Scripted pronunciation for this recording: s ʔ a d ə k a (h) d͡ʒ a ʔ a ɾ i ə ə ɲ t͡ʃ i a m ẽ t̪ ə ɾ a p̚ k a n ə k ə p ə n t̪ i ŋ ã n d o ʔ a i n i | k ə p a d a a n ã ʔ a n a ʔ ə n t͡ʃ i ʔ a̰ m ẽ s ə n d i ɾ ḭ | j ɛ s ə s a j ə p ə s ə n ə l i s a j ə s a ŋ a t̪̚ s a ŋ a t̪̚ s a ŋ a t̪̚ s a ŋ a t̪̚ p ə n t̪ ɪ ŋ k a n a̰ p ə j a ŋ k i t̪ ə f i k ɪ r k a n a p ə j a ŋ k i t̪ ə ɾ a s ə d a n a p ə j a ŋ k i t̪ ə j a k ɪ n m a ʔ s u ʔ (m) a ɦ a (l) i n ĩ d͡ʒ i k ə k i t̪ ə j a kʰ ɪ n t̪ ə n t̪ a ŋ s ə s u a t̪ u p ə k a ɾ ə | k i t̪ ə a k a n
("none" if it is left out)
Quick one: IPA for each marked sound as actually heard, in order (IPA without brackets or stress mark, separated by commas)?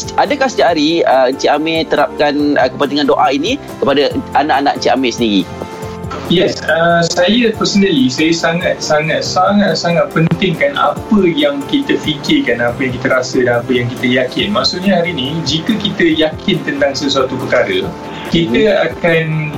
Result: s, ɲ, ɾ